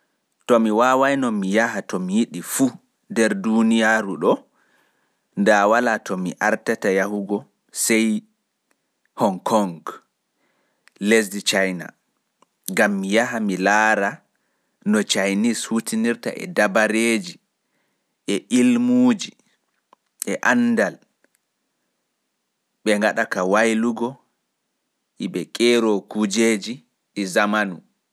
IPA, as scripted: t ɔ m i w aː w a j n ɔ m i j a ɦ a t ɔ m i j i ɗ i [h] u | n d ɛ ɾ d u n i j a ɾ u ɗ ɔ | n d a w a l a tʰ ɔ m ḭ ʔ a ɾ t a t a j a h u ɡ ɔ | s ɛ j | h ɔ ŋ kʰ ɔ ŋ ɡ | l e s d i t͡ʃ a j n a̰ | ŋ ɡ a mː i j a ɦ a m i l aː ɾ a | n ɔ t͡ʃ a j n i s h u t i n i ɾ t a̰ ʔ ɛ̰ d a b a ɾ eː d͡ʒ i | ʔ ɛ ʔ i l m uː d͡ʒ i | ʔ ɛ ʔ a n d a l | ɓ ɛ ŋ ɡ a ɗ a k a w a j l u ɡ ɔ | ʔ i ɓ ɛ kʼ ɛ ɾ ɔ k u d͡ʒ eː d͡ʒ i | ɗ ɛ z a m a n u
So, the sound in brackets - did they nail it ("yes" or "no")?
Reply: no